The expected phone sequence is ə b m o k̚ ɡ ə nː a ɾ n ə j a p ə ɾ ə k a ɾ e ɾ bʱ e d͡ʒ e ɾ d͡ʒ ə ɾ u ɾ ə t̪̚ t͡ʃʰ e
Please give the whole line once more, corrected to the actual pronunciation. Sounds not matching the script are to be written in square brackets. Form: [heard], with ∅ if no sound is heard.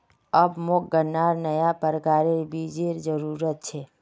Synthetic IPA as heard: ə b m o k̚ ɡ ə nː a ɾ n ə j a p ə ɾ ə k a ɾ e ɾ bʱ [i] d͡ʒ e ɾ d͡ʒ ə ɾ u ɾ ə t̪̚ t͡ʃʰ e